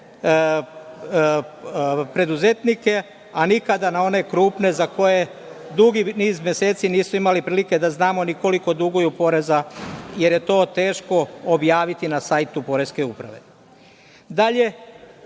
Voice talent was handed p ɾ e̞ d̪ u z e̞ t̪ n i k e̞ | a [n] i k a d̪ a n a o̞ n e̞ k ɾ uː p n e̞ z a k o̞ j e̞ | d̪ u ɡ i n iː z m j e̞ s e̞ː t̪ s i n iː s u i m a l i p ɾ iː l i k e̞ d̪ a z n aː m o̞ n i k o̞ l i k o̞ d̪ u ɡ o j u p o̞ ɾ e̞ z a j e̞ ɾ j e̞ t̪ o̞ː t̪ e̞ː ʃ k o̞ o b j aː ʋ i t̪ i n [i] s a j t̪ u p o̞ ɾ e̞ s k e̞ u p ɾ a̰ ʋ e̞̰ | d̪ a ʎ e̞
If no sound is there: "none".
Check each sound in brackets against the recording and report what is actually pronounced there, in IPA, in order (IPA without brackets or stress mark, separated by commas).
n, a